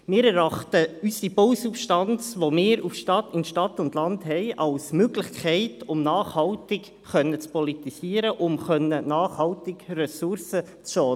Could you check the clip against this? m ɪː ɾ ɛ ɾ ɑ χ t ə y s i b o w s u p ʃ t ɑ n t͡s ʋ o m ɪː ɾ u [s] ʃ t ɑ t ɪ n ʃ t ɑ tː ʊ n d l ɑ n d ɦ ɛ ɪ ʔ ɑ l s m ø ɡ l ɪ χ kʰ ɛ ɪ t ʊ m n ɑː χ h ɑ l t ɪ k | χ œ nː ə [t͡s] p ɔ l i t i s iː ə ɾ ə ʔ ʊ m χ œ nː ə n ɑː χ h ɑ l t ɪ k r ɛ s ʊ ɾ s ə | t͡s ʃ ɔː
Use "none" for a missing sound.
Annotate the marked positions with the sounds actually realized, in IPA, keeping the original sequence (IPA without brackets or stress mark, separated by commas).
f, t͡s